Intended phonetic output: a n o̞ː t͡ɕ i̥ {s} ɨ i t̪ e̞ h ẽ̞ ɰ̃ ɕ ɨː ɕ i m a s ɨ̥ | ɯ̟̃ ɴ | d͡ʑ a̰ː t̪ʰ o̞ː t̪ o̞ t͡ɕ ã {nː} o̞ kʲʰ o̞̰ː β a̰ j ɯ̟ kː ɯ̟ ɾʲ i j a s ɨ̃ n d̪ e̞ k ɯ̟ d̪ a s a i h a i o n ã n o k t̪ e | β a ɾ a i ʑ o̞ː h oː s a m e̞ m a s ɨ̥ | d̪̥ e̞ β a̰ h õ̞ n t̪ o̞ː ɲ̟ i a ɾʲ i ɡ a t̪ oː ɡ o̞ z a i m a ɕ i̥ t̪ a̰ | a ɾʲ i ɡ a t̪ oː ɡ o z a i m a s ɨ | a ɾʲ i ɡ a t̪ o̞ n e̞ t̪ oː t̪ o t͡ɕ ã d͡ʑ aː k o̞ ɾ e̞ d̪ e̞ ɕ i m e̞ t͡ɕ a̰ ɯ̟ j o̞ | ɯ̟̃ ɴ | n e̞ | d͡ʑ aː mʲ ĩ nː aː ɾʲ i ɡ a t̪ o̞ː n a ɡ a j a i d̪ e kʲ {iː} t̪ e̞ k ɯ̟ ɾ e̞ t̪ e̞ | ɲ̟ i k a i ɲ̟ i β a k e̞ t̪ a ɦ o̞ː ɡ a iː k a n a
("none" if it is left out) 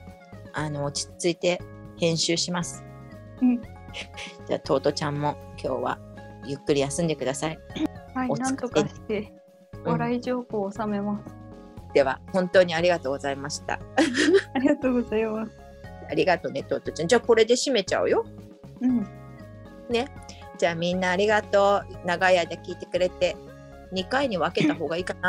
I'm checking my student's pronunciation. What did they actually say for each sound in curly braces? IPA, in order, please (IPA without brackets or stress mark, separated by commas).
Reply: t͡s, mː, iː